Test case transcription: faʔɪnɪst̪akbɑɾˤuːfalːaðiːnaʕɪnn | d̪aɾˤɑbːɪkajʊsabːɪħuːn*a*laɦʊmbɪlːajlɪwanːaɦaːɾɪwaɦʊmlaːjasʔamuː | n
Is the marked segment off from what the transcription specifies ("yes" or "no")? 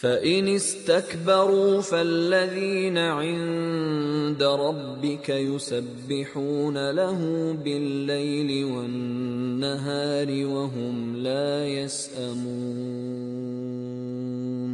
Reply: no